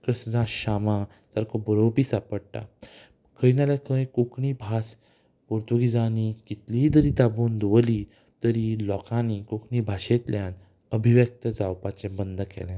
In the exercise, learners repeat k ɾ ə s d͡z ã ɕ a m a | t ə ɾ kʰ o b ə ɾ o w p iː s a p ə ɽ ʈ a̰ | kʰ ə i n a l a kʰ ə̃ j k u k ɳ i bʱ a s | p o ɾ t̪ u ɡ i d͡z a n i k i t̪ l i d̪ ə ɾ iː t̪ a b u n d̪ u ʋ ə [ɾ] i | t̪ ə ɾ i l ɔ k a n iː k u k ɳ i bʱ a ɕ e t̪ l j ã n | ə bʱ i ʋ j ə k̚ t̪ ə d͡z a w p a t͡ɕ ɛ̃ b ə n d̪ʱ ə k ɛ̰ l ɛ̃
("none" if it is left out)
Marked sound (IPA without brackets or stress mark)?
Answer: l